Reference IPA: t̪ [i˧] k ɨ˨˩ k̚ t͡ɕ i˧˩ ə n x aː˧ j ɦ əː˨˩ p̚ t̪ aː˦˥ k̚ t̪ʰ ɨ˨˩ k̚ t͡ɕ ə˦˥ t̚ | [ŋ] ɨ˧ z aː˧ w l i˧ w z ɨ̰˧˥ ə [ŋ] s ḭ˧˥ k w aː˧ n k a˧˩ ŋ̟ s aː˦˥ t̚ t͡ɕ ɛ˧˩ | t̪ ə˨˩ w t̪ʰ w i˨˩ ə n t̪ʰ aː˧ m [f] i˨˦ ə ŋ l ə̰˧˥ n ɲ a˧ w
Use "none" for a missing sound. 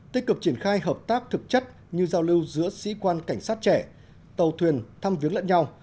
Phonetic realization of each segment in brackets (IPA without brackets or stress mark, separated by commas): i˦˥, ɲ, none, v